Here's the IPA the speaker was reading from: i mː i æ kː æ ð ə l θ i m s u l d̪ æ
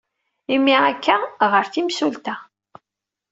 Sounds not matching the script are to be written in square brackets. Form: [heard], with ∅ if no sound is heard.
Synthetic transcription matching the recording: i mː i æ kː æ [ʁ] ə [ɾ] θ i m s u l [t̪] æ